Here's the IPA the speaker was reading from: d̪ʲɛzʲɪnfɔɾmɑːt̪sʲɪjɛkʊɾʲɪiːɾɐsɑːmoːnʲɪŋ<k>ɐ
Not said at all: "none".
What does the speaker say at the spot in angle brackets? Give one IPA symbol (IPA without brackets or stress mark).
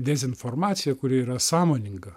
ɡ